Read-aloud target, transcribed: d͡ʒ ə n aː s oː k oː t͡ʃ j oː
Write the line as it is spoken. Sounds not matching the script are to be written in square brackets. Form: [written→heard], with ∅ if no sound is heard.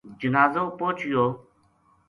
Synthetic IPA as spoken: d͡ʒ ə n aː [s→z] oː [k→p] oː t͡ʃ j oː